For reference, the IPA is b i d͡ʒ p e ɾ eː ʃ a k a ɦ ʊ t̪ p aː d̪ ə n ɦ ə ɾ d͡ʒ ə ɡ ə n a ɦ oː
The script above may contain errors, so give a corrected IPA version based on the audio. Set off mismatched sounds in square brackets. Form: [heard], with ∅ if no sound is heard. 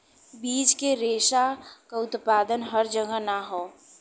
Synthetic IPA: b [iː] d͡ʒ [k] e ɾ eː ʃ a k a [∅] ʊ t̪ p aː d̪ ə n ɦ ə ɾ d͡ʒ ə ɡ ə n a ɦ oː